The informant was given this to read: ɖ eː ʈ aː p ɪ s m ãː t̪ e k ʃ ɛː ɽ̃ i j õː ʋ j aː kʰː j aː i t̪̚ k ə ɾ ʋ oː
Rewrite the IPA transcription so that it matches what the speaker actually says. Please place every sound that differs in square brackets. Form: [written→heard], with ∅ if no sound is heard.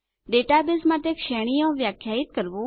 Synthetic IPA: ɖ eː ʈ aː [p→b] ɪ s m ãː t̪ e k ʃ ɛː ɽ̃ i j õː ʋ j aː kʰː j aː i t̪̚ k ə ɾ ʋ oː